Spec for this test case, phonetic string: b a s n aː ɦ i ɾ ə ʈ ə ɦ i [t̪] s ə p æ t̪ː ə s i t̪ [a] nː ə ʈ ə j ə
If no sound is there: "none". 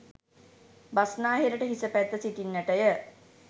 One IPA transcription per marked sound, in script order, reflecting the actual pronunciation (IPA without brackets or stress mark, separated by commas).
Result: none, i